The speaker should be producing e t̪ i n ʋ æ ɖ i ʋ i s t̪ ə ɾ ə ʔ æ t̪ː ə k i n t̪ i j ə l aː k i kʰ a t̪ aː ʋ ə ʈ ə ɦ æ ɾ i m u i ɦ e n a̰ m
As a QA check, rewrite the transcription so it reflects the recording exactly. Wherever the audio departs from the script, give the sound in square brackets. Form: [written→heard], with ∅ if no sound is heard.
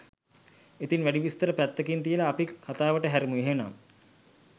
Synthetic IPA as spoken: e t̪ i n ʋ æ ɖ i ʋ i s t̪ ə ɾ ə [ʔ→p] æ t̪ː ə k i n t̪ i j ə l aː [k→p] i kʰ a t̪ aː ʋ ə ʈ ə ɦ æ ɾ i m u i ɦ e n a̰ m